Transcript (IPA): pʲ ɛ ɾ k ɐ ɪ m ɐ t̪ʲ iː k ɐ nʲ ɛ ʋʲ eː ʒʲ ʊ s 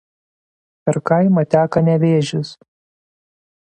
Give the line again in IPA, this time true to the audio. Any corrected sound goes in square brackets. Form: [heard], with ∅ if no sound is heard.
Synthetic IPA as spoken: pʲ ɛ ɾ k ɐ ɪ m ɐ t̪ʲ [æː] k ɐ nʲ ɛ ʋʲ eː ʒʲ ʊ s